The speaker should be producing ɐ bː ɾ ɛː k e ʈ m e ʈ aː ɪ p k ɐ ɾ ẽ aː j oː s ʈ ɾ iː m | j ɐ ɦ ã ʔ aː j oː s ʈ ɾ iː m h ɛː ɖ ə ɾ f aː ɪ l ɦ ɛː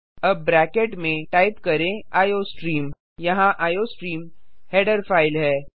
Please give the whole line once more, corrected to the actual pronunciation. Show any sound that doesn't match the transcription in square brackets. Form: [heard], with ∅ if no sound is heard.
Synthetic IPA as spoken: ɐ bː ɾ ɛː k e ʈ m [ẽ] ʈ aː ɪ p k ɐ ɾ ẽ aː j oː s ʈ ɾ iː m | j ɐ ɦ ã ʔ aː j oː s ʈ ɾ iː m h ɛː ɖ ə ɾ f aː ɪ l ɦ ɛː

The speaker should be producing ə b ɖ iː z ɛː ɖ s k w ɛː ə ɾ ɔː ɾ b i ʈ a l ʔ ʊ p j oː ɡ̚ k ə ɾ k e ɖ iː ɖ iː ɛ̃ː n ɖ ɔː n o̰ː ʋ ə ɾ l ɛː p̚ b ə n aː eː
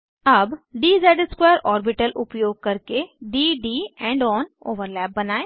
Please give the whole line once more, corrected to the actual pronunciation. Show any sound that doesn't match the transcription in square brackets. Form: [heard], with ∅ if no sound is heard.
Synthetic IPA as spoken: ə b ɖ iː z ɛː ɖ s k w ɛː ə ɾ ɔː ɾ b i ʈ [ə] l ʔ ʊ p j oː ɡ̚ k ə ɾ k e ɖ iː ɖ iː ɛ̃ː [ɳ] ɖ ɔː n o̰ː ʋ ə ɾ l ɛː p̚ b ə n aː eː

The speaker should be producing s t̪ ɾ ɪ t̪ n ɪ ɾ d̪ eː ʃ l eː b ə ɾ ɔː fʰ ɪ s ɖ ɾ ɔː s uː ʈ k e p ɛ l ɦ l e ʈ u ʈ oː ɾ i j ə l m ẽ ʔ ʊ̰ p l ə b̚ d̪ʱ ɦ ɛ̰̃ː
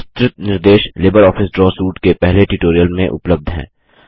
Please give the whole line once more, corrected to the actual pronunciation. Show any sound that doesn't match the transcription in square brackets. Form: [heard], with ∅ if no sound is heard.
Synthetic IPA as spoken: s t̪ ɾ ɪ t̪ n ɪ ɾ d̪ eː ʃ l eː b ə ɾ ɔː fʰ ɪ s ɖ ɾ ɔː s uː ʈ k e p ɛ [∅] ɦ l e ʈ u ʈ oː ɾ i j ə l m ẽ ʔ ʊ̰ p l ə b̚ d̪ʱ ɦ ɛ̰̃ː

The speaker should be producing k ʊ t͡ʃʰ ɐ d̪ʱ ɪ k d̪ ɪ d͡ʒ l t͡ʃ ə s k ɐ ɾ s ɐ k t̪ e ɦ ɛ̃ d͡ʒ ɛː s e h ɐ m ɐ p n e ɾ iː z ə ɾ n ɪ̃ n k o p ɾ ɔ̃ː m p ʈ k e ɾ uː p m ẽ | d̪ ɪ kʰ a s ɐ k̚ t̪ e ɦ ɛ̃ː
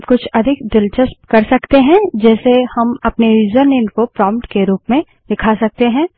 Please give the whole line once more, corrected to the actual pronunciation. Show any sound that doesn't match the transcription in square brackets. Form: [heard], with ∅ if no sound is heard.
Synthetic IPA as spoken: k ʊ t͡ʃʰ ɐ d̪ʱ ɪ k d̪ ɪ [∅] l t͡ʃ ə s k ɐ ɾ s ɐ k t̪ e ɦ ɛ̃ d͡ʒ ɛː s e h ɐ m ɐ p n e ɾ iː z ə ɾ n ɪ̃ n k o p ɾ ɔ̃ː m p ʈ k e ɾ uː p m ẽ | d̪ ɪ kʰ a s ɐ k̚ t̪ e ɦ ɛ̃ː

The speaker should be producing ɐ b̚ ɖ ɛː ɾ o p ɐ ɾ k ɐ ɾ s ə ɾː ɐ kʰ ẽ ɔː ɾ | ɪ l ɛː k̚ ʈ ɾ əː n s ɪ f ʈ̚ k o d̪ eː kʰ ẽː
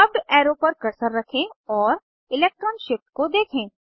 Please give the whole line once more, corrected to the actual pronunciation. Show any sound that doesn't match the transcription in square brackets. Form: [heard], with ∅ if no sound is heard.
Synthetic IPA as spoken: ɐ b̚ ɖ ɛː ɾ o p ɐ ɾ k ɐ ɾ s ə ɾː ɐ kʰ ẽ ɔː ɾ | ɪ l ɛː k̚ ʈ ɾ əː n [ʃ] ɪ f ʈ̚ k o d̪ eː kʰ ẽː

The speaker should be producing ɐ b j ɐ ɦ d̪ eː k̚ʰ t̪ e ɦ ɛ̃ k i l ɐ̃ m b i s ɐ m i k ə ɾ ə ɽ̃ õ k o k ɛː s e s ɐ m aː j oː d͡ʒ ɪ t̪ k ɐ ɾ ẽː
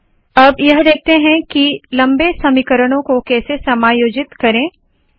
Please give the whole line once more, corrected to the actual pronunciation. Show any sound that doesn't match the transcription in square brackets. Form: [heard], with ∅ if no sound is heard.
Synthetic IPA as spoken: ɐ b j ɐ ɦ d̪ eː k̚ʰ t̪ e ɦ ɛ̃ k i l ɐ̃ m b [e] s ɐ m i k ə ɾ ə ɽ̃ õ k o k ɛː s e s ɐ m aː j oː d͡ʒ ɪ t̪ k ɐ ɾ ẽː

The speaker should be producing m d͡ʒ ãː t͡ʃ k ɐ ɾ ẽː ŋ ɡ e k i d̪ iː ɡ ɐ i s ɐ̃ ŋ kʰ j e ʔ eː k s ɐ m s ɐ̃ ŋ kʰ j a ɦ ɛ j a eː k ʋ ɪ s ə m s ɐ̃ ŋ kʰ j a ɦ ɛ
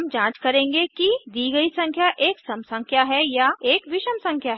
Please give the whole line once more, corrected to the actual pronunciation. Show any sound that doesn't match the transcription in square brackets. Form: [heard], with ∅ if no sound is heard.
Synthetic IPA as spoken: m d͡ʒ ãː t͡ʃ k ɐ ɾ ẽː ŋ ɡ e k i d̪ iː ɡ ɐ i s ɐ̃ ŋ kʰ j [a] ʔ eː k s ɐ m s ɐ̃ ŋ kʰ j a ɦ ɛ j a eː k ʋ ɪ [ʃ] ə m s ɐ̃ ŋ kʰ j a ɦ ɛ

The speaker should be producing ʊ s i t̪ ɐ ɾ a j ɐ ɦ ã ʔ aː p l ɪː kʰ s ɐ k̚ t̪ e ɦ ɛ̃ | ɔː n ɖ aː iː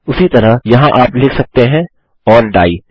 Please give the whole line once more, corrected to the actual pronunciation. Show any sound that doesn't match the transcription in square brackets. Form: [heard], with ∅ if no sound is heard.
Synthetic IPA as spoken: ʊ s i t̪ ɐ ɾ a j ɐ ɦ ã ʔ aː p l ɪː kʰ s ɐ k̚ t̪ e ɦ ɛ̃ | ɔː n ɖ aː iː

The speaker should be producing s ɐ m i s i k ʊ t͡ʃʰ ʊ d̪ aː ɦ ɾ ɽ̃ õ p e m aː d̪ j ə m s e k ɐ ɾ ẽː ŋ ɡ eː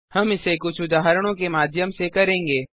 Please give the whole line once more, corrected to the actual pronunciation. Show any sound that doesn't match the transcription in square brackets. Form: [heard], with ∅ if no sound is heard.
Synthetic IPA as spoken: [h] ɐ m [ɪ] s [e] k ʊ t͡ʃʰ ʊ d̪ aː ɦ ɾ ɽ̃ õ [k] e m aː d̪ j ə m s e k ɐ ɾ ẽː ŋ ɡ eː

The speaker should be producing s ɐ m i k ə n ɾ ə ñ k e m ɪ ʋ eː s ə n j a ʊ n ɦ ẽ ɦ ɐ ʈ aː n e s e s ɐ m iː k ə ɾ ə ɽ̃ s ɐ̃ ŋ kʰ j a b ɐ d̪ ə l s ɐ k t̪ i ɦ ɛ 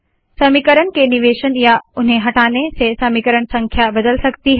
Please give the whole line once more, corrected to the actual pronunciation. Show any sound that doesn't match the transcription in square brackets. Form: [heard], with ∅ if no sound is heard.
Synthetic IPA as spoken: s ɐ m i k ə [∅] ɾ ə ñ k e [n] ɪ ʋ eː [ʃ] ə n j a ʊ n ɦ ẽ ɦ ɐ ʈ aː n e s e s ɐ m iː k ə ɾ ə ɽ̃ s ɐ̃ ŋ kʰ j a b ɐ d̪ ə l s ɐ k t̪ i ɦ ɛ

